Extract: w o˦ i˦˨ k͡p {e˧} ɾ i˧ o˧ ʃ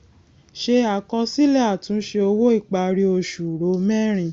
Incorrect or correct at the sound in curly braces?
incorrect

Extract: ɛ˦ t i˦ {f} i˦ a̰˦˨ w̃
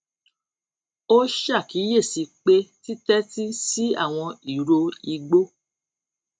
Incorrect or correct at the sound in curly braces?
incorrect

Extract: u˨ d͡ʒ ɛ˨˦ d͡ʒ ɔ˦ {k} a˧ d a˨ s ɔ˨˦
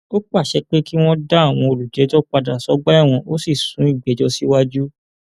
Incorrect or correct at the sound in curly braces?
incorrect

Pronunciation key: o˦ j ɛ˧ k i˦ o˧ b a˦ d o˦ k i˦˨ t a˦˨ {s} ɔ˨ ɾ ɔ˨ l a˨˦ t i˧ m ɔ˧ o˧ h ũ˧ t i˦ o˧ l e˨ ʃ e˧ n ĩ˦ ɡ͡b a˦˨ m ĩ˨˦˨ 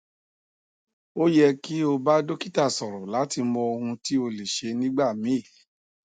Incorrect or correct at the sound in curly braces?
correct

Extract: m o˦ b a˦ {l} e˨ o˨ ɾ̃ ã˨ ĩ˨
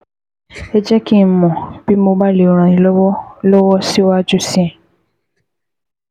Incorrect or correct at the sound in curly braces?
correct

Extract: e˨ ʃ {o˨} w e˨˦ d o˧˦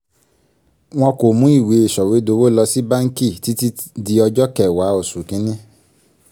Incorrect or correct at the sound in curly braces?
incorrect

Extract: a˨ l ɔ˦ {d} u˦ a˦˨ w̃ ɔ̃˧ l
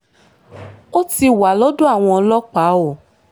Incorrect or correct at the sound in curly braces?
correct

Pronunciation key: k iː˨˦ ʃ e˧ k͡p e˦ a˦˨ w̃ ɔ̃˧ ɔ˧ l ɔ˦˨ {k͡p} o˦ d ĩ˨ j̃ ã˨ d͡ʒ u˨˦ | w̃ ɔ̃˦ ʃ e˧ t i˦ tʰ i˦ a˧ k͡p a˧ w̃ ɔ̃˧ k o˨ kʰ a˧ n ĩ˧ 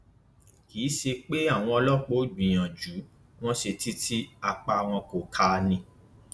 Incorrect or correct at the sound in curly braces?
correct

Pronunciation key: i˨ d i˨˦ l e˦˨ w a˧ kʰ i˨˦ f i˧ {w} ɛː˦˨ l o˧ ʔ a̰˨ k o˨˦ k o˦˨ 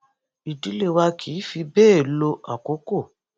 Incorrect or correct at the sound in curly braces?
incorrect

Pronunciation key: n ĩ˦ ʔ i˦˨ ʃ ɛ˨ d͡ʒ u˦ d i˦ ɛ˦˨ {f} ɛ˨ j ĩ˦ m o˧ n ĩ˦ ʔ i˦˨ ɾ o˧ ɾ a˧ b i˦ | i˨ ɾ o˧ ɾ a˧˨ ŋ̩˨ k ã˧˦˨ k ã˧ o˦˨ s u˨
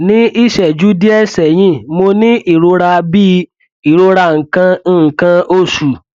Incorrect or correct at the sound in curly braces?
incorrect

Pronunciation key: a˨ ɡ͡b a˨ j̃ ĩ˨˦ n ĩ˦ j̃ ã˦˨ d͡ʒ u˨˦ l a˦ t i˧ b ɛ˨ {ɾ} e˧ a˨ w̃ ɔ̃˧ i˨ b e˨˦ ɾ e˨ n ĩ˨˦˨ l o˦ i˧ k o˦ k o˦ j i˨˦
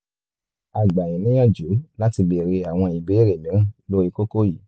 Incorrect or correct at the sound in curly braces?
correct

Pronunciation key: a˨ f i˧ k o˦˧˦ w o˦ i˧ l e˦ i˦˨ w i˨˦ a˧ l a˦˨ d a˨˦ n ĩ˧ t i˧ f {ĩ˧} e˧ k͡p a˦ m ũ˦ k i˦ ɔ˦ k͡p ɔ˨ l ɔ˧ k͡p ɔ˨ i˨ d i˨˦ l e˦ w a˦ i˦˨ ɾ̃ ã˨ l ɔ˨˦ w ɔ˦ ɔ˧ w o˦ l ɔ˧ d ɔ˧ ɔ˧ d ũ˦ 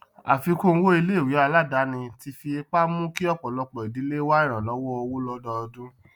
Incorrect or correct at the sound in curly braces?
incorrect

